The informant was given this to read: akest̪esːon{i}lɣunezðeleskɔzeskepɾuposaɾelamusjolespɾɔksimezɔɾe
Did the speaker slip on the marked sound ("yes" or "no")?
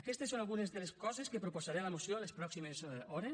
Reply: yes